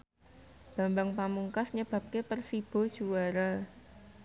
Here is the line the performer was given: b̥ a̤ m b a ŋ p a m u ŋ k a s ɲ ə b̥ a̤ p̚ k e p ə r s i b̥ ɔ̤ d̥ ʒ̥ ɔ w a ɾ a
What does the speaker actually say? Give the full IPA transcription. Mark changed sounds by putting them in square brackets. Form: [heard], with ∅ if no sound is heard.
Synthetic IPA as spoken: b̥ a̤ m b a ŋ p a m u ŋ k a s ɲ ə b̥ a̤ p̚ k e p ə r s i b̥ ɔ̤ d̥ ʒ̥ [u] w a ɾ a

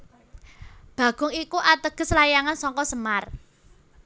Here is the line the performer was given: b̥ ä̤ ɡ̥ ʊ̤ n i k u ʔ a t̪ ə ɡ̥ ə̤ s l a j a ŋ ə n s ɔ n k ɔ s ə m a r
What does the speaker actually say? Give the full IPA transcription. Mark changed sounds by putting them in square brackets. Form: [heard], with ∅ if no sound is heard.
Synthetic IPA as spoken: b̥ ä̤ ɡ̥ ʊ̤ [ŋ] i k u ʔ a t̪ ə ɡ̥ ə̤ s l a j a ŋ [a] n s ɔ [ŋ] k ɔ s ə m a r

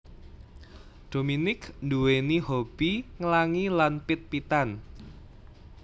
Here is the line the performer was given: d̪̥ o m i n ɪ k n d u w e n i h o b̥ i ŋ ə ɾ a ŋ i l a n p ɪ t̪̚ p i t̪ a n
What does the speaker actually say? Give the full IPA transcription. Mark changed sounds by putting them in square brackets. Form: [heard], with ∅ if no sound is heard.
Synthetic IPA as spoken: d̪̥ o m i n ɪ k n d u w e n i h o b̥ i ŋ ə [l] a ŋ i l a n p ɪ t̪̚ p i t̪ a n

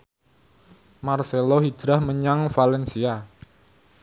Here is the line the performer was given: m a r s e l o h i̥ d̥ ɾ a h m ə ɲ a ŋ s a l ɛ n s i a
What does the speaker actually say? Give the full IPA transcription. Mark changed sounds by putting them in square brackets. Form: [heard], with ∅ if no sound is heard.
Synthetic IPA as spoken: m a r s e l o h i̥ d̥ ɾ a h m ə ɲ a ŋ [f] a l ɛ n s i a

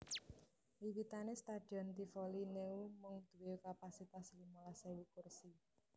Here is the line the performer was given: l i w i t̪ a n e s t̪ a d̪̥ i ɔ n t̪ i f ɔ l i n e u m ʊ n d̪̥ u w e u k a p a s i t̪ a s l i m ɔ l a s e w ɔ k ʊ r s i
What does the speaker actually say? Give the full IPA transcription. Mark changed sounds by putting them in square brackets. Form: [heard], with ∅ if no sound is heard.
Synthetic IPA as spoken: l i w i t̪ a n e s t̪ a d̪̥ i ɔ n t̪ i f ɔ l i n e u m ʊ [ŋ] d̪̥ u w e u k a p a s i t̪ a s l i m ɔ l a s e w [u] k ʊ r s i

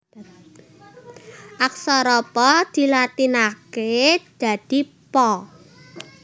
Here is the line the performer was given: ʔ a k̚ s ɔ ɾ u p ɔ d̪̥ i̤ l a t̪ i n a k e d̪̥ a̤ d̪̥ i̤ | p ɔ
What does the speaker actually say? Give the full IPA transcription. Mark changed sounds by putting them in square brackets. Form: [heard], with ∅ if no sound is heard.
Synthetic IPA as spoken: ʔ a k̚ s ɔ ɾ [ɔ] p ɔ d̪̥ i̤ l a t̪ i n a k e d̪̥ a̤ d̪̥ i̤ | p ɔ

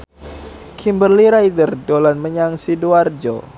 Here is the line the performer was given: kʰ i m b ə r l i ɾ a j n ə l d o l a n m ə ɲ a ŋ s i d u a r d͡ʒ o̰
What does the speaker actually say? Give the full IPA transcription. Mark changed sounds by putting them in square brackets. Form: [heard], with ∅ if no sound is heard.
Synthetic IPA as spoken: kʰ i m b ə r l i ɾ a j [d] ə [r] d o l a n m ə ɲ a ŋ s i d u a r d͡ʒ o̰

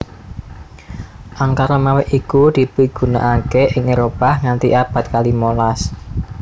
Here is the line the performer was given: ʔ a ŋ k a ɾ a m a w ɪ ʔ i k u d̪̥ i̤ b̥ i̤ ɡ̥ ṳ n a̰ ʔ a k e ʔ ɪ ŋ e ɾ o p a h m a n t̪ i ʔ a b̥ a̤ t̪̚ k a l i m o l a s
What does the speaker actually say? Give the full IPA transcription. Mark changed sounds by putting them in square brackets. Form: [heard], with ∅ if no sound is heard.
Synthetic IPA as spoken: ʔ a ŋ k a ɾ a m a w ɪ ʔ i k u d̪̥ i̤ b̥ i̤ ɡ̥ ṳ n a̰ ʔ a k e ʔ ɪ ŋ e ɾ o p a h [ŋ] a n t̪ i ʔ a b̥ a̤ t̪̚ k a l i m o l a s

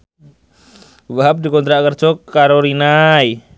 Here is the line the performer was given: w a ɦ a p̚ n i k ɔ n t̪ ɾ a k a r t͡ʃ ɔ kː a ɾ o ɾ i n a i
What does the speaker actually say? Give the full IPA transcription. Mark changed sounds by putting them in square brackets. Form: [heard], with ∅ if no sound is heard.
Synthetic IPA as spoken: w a ɦ a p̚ [d] i k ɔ n t̪ ɾ a k [ə] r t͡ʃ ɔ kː a ɾ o ɾ i n a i

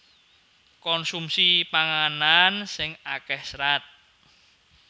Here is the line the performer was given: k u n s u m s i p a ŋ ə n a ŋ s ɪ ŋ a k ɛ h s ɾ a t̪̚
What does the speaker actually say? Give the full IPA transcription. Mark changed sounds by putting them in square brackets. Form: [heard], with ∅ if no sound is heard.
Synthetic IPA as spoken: k [ɔ] n s u m s i p a ŋ [a] n a [n] s ɪ ŋ a k ɛ h s ɾ a t̪̚

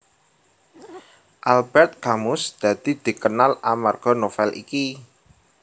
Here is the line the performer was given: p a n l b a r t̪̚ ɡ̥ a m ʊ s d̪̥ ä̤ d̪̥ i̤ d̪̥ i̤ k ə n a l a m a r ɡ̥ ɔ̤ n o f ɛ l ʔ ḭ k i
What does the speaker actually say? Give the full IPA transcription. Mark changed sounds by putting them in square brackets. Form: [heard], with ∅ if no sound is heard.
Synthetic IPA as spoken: [ʔ] a [∅] l b [ɛ] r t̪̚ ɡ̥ a m ʊ s d̪̥ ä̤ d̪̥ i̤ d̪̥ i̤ k ə n a l a m a r ɡ̥ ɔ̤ n o f ɛ l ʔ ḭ k i

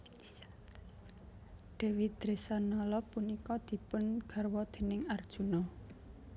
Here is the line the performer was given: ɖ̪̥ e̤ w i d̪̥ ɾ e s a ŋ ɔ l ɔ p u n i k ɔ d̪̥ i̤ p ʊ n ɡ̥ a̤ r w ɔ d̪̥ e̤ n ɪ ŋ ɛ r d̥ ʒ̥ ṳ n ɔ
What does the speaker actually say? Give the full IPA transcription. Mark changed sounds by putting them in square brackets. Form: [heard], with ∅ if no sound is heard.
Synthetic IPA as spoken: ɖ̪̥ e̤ w i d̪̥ ɾ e s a [n] ɔ l ɔ p u n i k ɔ d̪̥ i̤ p ʊ n ɡ̥ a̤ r w ɔ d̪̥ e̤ n ɪ ŋ [a] r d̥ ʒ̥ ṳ n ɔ

